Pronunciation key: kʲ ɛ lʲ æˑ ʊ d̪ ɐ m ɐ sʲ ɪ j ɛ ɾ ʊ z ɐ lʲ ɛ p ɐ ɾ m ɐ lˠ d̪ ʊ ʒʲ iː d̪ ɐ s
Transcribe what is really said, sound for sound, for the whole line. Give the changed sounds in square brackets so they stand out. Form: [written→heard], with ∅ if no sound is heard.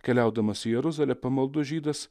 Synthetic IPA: kʲ ɛ lʲ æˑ ʊ d̪ ɐ m ɐ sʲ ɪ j ɛ ɾ ʊ z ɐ lʲ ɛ p ɐ [ɾ→∅] m ɐ lˠ d̪ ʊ ʒʲ iː d̪ ɐ s